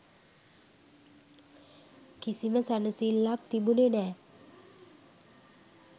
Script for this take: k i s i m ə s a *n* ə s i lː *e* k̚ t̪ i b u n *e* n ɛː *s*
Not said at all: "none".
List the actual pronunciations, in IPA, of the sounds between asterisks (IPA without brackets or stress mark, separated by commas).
n, a, e, none